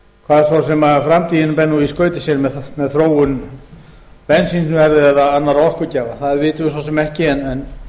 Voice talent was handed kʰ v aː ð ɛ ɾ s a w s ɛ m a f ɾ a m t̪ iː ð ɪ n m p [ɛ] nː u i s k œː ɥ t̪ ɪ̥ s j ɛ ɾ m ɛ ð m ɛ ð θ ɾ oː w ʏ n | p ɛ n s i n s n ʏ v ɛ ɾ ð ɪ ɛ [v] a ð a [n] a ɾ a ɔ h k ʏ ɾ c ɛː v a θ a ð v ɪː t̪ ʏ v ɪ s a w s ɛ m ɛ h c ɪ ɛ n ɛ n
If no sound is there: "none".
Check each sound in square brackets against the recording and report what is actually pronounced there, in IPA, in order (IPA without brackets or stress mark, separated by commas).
ɛ, ð, nː